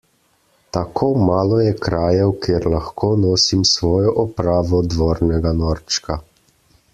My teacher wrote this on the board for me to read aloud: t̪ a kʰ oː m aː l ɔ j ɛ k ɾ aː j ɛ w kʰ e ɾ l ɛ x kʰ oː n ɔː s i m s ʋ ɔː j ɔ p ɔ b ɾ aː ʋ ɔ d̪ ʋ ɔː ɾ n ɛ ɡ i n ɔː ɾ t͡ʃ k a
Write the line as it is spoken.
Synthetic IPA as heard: t̪ a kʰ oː m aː l ɔ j ɛ k ɾ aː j ɛ w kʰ e ɾ l a x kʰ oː n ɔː s i m s ʋ ɔː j ɔ ʔ ɔ p ɾ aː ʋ ɔ d̪ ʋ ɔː ɾ n ɛ ɡ a n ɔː ɾ t͡ʃ k a